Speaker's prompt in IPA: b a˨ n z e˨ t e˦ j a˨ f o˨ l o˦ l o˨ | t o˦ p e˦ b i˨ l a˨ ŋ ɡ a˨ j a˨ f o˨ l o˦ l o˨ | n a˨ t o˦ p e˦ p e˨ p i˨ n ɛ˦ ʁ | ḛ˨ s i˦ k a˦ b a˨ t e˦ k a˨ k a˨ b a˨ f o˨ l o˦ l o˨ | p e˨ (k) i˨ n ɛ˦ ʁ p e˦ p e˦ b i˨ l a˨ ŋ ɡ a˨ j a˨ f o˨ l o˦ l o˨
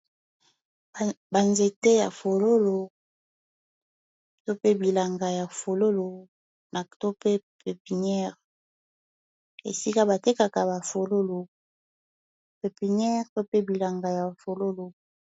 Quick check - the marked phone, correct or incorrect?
incorrect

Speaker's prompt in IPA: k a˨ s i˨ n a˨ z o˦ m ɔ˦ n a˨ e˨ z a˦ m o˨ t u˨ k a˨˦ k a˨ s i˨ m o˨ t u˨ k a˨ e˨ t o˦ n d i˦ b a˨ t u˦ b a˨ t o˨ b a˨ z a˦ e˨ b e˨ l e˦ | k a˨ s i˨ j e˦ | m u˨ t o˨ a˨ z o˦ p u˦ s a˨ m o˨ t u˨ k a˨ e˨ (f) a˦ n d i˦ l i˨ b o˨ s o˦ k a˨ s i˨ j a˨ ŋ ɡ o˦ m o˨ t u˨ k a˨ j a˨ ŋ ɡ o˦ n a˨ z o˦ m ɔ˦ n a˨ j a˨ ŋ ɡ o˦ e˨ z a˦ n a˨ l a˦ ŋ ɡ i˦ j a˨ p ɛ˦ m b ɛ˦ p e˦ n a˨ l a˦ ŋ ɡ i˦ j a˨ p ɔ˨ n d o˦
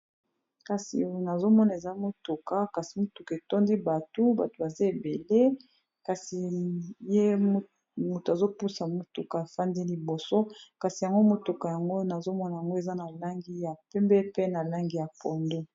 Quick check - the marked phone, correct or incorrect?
correct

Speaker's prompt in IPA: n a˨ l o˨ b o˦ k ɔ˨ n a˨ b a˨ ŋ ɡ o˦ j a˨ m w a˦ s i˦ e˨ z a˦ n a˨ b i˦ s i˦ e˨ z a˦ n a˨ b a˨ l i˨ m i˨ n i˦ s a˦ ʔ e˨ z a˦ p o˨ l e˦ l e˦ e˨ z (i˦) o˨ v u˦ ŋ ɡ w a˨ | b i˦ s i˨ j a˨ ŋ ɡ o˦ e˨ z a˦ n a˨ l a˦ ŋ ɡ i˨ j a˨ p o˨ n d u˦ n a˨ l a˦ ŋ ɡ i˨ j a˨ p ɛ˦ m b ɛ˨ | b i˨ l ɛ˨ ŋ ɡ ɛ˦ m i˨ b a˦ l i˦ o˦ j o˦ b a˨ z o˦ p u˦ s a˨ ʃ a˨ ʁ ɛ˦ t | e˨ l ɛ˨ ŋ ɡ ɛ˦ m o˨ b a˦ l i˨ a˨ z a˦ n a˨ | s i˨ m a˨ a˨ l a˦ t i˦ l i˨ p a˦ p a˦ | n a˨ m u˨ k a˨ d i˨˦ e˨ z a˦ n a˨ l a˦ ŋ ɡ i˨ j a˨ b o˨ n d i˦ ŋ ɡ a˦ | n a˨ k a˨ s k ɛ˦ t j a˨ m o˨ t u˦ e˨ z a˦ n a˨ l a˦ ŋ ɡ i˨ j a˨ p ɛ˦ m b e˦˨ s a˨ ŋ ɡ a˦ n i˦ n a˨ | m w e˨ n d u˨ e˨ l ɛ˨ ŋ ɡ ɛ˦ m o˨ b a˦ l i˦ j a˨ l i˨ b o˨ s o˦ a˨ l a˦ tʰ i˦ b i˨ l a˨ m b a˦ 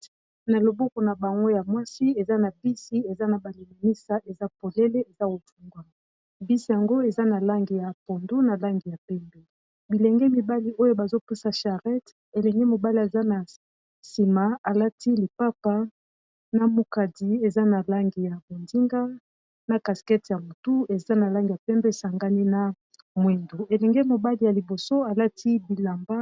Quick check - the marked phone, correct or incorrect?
incorrect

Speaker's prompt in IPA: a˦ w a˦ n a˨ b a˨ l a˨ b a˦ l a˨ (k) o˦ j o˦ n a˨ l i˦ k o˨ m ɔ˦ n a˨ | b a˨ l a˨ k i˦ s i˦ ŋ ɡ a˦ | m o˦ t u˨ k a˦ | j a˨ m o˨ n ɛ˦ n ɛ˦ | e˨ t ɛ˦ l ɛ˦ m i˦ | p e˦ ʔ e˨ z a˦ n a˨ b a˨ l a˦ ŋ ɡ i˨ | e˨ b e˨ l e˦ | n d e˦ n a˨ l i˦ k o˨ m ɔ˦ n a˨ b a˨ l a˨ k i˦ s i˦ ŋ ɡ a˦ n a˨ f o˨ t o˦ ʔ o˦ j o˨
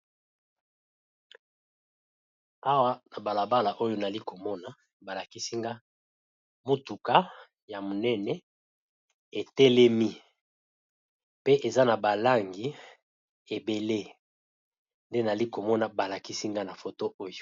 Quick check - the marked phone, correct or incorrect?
incorrect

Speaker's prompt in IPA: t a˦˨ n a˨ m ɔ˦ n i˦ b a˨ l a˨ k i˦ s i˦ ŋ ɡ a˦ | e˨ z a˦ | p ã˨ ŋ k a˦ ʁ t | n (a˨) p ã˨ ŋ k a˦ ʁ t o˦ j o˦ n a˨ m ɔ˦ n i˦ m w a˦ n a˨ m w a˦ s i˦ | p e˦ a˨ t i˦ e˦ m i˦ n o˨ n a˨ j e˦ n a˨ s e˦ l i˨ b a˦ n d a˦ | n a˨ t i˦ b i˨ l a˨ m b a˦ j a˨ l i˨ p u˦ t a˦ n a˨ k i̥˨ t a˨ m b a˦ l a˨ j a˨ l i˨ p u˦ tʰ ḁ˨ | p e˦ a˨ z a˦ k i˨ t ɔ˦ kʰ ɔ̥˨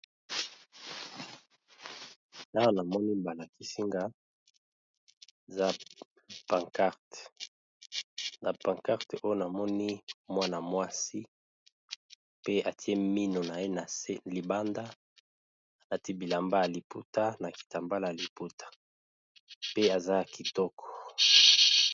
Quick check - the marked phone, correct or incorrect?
correct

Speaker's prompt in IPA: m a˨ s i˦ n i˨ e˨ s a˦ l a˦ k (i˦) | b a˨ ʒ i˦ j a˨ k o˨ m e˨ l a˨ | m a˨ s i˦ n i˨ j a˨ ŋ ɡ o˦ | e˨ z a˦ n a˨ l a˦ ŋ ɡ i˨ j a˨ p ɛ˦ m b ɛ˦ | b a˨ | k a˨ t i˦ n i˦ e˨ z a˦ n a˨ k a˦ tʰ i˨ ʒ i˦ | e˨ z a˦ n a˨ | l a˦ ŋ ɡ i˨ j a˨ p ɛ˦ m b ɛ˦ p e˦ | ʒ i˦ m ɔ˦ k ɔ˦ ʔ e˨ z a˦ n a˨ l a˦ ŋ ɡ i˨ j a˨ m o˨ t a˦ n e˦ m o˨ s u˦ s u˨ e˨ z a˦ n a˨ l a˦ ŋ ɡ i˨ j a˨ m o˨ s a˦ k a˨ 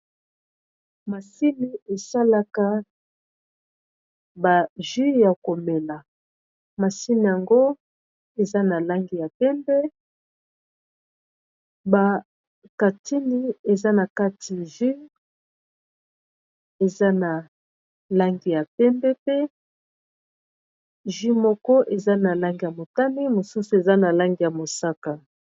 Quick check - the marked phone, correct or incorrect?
incorrect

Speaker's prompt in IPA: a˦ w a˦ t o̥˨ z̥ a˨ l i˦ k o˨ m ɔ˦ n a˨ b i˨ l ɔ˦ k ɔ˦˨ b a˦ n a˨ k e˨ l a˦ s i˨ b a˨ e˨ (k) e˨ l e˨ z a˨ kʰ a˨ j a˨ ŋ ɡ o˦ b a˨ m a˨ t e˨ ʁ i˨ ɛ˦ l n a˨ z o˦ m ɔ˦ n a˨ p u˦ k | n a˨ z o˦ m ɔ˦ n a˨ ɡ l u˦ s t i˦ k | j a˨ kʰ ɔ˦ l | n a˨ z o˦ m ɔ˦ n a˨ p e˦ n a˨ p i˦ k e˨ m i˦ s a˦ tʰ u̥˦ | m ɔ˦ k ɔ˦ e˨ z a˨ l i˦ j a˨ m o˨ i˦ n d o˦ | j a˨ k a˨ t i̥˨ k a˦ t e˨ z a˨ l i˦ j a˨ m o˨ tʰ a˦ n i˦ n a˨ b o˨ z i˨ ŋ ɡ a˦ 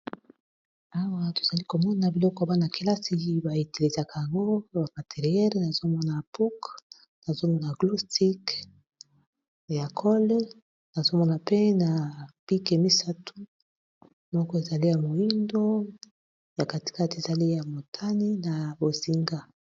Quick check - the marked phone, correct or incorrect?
incorrect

